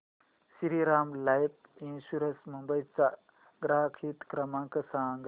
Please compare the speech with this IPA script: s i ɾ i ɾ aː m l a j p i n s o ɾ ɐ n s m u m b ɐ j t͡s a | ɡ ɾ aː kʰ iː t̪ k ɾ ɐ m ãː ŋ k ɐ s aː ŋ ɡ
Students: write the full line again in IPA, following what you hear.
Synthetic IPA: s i ɾ i ɾ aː m l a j p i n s u ɾ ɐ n s m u m b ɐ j t͡s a | ɡ ɾ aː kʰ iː t̪ k ɾ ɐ m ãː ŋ k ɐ s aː ŋ ɡ